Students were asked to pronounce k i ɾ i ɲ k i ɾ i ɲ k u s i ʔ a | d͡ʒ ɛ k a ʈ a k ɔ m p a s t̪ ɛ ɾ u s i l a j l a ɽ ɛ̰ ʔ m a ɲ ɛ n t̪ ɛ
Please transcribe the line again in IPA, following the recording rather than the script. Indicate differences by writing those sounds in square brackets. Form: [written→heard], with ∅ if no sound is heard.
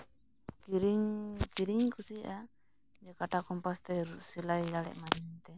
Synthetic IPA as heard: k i ɾ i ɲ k i ɾ i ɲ k u s i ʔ a | d͡ʒ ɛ k a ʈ a k ɔ m p a s t̪ ɛ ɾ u s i l a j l a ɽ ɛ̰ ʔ m a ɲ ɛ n t̪ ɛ